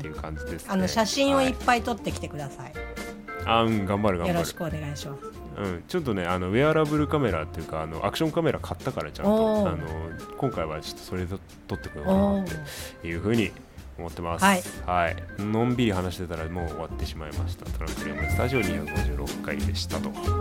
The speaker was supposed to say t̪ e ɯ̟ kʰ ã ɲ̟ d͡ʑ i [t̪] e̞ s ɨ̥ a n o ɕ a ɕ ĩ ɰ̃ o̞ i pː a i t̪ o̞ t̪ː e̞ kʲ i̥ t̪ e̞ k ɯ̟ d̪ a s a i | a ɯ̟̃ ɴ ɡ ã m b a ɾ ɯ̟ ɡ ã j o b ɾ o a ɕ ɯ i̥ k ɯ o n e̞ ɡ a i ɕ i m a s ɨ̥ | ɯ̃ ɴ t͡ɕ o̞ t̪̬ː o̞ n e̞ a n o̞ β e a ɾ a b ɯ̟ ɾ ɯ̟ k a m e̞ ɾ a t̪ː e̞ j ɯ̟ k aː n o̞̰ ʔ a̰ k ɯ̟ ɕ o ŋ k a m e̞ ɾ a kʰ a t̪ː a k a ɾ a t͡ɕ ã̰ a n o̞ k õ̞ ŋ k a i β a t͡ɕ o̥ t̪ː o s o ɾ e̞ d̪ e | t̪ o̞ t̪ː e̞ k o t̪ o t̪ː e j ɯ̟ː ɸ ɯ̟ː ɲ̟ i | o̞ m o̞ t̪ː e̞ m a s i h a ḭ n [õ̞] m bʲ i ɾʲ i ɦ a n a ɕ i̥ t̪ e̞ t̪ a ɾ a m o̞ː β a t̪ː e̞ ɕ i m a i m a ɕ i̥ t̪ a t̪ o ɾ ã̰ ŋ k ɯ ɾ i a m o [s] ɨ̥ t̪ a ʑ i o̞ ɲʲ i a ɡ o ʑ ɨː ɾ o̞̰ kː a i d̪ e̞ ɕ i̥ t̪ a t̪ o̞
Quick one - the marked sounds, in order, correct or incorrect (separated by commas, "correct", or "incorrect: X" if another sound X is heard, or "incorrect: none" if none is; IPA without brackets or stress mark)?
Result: incorrect: d̪, correct, correct